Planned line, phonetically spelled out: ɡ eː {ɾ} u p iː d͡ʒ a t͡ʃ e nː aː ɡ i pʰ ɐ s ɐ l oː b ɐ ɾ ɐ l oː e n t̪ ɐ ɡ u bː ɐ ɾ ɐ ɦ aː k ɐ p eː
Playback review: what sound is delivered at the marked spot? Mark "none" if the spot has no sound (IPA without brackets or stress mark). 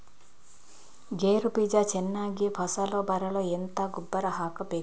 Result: ɾ